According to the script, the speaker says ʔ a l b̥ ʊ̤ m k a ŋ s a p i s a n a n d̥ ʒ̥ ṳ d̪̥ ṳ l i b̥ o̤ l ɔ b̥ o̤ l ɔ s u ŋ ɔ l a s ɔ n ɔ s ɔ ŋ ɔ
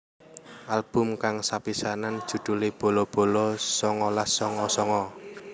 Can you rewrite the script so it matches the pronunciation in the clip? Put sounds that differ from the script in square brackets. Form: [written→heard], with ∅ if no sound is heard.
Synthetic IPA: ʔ a l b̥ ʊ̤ m k a ŋ s a p i s a n a n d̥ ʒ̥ ṳ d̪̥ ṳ l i b̥ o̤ l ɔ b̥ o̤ l ɔ s [u→ɔ] ŋ ɔ l a s ɔ [n→ŋ] ɔ s ɔ ŋ ɔ